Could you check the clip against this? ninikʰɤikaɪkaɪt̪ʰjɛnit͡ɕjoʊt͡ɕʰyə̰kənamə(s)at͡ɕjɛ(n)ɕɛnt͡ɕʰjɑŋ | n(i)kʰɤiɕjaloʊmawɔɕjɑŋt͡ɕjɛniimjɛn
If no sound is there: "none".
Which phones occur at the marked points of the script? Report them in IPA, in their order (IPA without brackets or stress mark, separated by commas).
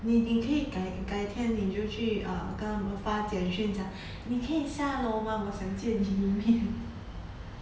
f, n, i